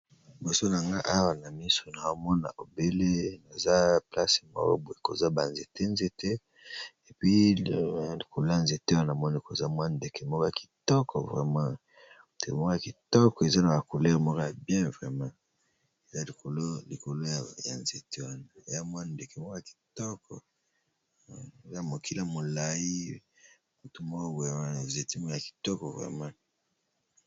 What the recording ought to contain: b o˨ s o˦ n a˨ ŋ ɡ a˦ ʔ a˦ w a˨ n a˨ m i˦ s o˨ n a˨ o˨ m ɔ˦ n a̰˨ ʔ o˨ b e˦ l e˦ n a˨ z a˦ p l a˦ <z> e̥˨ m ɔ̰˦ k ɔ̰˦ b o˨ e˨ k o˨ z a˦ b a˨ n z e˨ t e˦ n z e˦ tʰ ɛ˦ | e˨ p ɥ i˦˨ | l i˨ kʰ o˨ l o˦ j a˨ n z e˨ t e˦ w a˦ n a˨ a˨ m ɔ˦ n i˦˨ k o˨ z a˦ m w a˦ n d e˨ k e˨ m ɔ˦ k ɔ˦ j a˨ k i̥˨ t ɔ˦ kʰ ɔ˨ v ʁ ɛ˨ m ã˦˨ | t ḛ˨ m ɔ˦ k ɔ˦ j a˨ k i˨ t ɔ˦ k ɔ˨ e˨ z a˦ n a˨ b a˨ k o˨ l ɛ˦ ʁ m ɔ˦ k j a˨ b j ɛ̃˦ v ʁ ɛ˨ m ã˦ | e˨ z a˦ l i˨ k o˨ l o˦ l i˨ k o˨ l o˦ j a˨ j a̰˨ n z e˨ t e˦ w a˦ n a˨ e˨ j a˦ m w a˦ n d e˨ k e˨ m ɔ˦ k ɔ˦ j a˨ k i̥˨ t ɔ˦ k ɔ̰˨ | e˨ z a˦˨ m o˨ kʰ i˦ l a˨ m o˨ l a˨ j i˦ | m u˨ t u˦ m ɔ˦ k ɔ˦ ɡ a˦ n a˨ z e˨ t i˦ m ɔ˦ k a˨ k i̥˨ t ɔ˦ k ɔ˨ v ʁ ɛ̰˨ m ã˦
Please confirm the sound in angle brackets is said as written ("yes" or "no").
no